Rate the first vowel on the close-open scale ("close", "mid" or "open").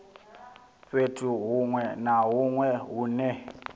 mid